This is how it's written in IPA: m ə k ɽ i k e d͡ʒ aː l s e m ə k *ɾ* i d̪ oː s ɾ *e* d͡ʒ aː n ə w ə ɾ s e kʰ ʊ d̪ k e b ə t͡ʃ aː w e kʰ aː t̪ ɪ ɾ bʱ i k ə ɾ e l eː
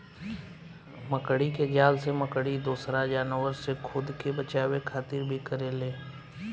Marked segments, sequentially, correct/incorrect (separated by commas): incorrect, incorrect